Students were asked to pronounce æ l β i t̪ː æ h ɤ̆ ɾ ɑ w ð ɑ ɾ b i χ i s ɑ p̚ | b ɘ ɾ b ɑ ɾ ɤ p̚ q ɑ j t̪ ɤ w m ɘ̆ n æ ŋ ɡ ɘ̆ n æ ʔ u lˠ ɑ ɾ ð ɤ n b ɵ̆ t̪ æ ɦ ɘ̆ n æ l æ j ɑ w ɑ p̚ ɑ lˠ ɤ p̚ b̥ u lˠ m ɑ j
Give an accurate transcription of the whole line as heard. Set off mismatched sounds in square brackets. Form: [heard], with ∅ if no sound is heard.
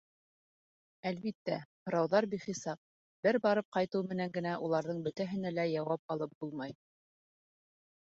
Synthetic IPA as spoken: æ l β i t̪ː æ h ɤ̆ ɾ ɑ w ð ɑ ɾ b i χ i s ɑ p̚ | b ɘ ɾ b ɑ ɾ ɤ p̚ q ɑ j t̪ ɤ w m ɘ̆ n æ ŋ ɡ ɘ̆ n æ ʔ u lˠ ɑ ɾ ð ɤ [ɴ] b ɵ̆ t̪ æ ɦ ɘ̆ n æ l æ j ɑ w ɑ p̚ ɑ lˠ ɤ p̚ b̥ u lˠ m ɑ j